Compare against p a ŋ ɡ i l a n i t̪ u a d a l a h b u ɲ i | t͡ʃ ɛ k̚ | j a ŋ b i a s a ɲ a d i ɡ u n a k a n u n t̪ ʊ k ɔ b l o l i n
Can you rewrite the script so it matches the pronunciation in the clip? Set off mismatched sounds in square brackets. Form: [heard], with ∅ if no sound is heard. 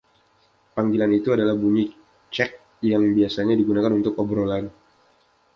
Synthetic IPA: p a ŋ ɡ i l a n i t̪ u a d a l a h b u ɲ i | t͡ʃ ɛ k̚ | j a ŋ b i a s a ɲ a d i ɡ u n a k a n u n t̪ ʊ k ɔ b [ɾ] o l [a] n